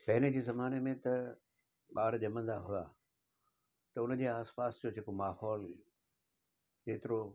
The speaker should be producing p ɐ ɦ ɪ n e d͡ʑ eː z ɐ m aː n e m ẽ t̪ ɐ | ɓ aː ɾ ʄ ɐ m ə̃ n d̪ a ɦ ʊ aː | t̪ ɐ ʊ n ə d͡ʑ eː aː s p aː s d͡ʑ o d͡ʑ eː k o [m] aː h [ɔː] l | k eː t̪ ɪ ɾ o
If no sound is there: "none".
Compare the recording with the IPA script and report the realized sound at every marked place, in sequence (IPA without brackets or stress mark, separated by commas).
m, ɔː